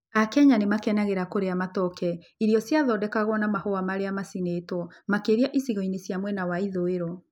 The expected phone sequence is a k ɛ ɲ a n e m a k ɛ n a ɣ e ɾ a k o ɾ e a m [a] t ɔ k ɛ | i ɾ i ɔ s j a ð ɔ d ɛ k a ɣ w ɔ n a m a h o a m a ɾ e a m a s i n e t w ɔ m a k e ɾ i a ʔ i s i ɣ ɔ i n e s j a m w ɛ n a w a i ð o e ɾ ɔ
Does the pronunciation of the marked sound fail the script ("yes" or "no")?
no